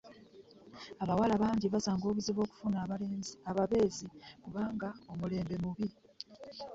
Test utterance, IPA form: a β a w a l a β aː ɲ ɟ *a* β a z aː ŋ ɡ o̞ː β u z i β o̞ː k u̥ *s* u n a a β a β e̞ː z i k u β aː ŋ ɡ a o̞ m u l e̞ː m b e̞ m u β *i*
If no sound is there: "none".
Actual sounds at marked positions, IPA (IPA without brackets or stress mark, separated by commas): i, f, i